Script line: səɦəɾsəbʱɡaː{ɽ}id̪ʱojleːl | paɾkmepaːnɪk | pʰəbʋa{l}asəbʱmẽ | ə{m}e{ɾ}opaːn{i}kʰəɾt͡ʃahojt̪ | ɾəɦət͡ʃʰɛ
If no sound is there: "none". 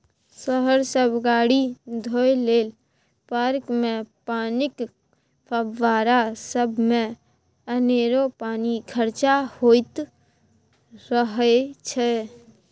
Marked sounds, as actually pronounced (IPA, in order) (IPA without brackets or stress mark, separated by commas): ɽ, ɾ, n, ɾ, i